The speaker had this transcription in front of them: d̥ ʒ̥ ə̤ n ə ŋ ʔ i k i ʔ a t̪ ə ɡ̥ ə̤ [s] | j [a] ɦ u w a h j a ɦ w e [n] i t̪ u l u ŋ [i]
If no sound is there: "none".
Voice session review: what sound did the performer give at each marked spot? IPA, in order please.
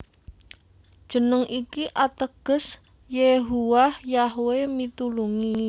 s, e, m, i

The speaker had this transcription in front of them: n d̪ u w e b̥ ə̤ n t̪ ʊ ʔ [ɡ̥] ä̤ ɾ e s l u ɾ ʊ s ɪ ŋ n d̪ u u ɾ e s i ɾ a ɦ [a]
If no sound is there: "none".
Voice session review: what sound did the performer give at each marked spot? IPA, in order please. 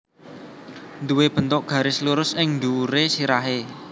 ɡ̥, e

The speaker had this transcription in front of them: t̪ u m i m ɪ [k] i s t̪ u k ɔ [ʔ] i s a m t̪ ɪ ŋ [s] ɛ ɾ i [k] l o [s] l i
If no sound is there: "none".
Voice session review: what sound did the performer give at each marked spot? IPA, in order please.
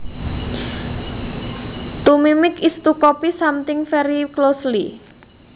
k, p, f, k, s

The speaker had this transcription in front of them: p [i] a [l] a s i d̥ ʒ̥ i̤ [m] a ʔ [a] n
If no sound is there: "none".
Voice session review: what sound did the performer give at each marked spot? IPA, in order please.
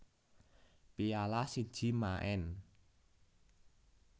i, l, m, ɛ

